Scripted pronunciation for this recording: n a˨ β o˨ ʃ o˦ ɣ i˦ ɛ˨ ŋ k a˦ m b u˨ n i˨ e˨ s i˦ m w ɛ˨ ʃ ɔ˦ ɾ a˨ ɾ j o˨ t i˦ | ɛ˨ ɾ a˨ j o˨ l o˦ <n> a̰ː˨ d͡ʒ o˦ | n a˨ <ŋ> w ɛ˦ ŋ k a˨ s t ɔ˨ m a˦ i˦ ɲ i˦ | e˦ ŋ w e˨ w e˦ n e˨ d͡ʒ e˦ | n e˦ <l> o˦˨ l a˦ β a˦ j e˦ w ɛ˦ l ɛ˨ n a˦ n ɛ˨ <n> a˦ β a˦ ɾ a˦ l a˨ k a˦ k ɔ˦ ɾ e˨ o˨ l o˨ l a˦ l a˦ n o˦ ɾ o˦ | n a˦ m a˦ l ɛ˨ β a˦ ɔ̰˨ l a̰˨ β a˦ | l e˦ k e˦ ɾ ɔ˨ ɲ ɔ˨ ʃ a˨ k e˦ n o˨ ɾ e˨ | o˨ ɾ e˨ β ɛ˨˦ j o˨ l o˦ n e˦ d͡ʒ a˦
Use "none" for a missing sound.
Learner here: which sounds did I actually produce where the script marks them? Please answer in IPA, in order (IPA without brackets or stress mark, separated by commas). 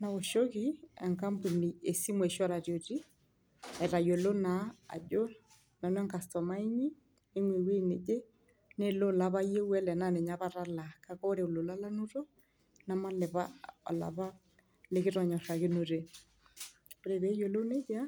n, n, l, ɲ